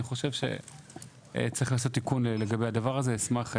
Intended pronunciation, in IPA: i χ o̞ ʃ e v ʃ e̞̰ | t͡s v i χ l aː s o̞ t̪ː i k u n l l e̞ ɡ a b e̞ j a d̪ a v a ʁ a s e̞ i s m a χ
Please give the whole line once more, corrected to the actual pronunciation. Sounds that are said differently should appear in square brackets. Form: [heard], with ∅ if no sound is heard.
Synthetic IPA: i χ o̞ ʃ e v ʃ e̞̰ | t͡s [ʁ] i χ l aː s o̞ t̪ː i k u n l l e̞ ɡ a b e̞ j a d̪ a v a ʁ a [z] e̞ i s m a χ